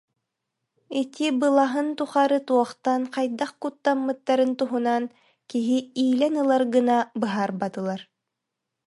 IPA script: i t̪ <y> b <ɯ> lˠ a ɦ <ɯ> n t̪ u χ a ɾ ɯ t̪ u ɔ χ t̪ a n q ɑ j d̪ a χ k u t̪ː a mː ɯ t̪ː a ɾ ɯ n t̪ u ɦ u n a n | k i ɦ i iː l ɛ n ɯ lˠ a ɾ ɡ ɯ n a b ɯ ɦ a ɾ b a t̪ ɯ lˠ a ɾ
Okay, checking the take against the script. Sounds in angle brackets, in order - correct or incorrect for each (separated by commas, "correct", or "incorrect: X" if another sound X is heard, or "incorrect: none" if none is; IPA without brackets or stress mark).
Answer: incorrect: i, correct, correct